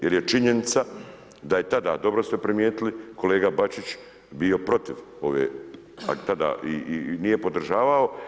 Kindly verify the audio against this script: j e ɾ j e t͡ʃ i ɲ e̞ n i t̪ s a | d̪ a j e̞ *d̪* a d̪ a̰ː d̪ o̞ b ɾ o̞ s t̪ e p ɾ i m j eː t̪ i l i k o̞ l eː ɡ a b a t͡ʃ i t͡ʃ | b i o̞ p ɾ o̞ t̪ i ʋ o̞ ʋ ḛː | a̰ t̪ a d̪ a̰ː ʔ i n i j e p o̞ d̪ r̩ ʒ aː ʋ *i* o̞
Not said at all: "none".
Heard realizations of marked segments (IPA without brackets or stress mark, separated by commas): t̪, a